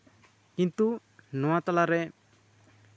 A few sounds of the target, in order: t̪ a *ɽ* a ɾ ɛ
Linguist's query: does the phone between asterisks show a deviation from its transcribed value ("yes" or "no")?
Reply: yes